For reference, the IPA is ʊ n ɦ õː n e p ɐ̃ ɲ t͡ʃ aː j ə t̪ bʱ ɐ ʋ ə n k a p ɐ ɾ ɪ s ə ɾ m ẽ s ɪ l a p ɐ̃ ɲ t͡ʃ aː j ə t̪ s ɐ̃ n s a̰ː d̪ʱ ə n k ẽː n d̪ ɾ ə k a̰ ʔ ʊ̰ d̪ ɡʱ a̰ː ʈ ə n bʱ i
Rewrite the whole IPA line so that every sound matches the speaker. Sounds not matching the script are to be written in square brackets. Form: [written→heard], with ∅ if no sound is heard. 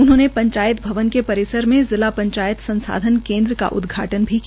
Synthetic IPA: ʊ n ɦ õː n e p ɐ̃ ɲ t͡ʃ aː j ə t̪ bʱ ɐ ʋ ə n k [a→e] p ɐ ɾ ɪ s ə ɾ m ẽ [s→z] ɪ l a p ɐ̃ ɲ t͡ʃ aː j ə t̪ s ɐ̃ n s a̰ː d̪ʱ ə n k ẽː n d̪ ɾ ə k a̰ ʔ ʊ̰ d̪ ɡʱ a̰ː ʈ ə n bʱ i